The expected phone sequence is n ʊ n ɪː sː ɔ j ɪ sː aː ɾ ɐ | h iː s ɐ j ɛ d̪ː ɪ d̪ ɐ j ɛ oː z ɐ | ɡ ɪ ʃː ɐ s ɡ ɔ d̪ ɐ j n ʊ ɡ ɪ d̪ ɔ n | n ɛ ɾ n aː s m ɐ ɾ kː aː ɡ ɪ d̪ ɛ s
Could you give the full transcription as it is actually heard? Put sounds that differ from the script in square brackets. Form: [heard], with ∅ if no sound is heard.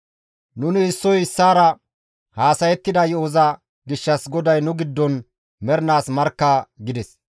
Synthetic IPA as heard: n ʊ n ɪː sː ɔ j ɪ sː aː ɾ ɐ | h [aː] s ɐ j ɛ [t̪ː] ɪ d̪ ɐ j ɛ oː z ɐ | ɡ ɪ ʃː ɐ s ɡ ɔ d̪ ɐ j n ʊ ɡ ɪ [d̪ː] ɔ n | [m] ɛ ɾ n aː s m ɐ ɾ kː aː ɡ ɪ d̪ ɛ s